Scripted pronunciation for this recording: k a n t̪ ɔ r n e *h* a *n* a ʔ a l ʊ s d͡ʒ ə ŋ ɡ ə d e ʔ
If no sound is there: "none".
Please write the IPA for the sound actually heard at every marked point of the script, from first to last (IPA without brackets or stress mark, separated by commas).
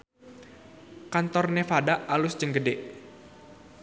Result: f, d